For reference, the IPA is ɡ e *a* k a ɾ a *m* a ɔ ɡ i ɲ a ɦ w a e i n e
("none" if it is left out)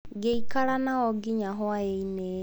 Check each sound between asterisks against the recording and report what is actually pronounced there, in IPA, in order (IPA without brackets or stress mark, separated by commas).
i, n